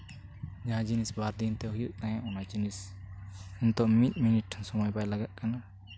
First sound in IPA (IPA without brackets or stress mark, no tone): d͡ʒ